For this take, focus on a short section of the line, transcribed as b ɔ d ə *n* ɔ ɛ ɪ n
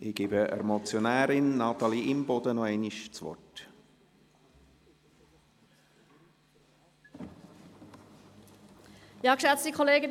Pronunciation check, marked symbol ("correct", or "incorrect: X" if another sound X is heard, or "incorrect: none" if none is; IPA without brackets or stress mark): correct